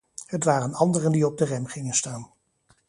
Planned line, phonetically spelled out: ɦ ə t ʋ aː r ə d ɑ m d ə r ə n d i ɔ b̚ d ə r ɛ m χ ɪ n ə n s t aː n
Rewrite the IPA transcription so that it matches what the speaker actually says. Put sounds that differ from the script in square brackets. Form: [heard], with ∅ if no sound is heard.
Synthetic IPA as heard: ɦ ə t ʋ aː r ə [n] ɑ [n] d ə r ə n d i ɔ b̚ d ə r ɛ m χ ɪ [ŋ] ə n s t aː n